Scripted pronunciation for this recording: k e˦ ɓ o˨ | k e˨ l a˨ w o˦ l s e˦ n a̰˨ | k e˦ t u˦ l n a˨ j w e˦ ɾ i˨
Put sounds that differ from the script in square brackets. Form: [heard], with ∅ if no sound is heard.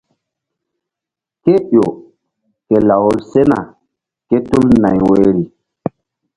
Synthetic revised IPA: k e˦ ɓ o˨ | k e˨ l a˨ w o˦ l s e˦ n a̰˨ | k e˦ t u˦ l n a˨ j w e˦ ɾ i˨